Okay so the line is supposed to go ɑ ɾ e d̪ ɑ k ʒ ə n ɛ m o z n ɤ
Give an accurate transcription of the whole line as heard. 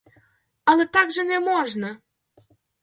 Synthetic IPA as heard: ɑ l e t̪ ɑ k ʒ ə n e m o ʒ n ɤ